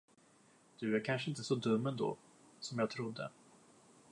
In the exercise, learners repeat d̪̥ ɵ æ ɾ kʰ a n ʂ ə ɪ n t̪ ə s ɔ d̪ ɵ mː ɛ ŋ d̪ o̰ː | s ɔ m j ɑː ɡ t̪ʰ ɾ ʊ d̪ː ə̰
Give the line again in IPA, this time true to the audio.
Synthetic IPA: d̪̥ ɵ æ ɾ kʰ a n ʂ ə ɪ n t̪ ə s ɔ d̪ ɵ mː ɛ n d̪ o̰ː | s ɔ m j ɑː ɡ t̪ʰ ɾ ʊ d̪ː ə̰